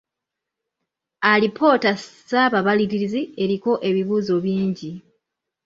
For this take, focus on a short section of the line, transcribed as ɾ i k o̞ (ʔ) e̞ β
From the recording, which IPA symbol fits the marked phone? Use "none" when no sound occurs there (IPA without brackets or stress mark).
ʔ